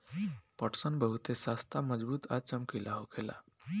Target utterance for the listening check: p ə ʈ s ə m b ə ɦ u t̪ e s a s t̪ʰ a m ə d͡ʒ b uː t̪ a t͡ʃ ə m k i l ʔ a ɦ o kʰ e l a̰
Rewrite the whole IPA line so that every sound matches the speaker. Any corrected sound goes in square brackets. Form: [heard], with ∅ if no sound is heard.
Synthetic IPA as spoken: p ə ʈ s ə [n] b ə ɦ u t̪ e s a s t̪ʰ a m ə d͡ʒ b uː t̪ a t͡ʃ ə m k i l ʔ a ɦ o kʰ e l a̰